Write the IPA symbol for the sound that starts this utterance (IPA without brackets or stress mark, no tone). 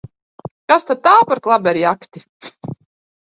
k